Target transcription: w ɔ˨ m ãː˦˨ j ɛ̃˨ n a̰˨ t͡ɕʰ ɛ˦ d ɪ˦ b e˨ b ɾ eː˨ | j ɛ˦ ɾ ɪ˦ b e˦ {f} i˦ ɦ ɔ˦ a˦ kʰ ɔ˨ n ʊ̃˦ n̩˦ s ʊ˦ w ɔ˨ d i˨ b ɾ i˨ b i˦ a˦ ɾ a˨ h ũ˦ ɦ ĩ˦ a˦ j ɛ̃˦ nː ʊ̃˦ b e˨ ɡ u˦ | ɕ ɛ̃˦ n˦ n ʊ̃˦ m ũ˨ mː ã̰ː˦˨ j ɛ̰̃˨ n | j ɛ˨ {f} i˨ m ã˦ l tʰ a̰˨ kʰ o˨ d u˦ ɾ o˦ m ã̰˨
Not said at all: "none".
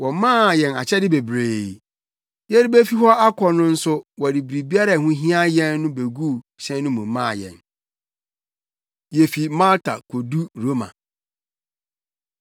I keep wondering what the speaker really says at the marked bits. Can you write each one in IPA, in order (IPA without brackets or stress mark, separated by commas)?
f, f